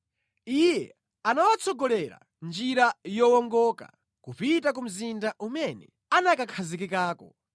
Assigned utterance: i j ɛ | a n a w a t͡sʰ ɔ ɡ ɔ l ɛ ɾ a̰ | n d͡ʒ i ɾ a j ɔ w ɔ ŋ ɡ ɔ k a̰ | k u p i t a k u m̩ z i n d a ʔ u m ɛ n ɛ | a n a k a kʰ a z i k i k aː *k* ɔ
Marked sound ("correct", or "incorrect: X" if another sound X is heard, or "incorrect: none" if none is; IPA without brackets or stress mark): correct